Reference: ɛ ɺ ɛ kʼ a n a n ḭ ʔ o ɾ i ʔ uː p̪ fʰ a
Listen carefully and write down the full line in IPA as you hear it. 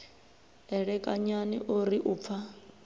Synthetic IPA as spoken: ɛ ɺ ɛ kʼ a ɲ a n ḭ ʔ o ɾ i ʔ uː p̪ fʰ a

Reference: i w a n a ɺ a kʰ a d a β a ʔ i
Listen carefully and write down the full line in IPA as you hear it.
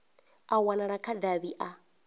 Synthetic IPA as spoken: a w a n a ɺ a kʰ a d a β i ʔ a

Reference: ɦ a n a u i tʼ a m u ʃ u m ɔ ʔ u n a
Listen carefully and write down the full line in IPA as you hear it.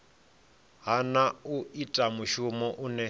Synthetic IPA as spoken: ɦ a n a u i tʼ a m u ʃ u m ɔ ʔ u n ɛ

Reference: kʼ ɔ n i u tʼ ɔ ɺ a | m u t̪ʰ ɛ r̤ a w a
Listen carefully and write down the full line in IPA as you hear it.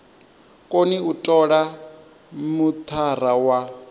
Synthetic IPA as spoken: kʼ o n i u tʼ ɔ ɺ a | m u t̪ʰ a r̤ a w a

